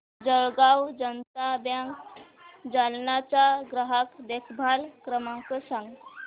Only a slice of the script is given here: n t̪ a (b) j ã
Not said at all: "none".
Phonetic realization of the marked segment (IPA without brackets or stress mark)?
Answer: b